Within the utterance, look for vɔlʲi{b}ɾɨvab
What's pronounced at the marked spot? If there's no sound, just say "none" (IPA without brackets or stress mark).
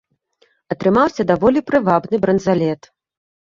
p